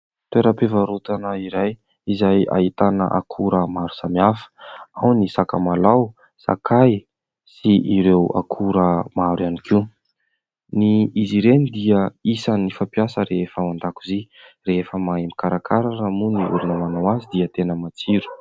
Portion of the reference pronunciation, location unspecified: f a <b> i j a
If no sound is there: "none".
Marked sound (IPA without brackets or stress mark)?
p